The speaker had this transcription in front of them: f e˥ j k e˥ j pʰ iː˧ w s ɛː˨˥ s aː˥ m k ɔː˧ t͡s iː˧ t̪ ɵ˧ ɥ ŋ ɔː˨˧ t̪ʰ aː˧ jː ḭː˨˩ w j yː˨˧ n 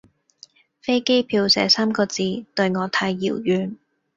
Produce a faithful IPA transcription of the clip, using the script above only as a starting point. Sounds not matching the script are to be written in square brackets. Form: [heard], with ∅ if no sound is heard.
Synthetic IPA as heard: f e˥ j k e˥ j pʰ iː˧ w s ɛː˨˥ s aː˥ m k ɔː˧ t͡s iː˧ t̪ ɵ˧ ɥ ŋ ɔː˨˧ t̪ʰ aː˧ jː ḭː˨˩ w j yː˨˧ n